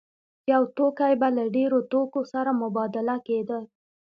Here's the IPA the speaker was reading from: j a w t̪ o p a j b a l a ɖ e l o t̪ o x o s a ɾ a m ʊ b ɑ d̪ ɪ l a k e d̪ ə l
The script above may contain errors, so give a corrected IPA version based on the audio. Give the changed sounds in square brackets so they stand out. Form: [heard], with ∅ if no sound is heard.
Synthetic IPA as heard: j a w t̪ o [k] a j b a l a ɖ e [ɾ] o t̪ o [k] o s a ɾ a m ʊ b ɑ d̪ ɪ l a k e d̪ ə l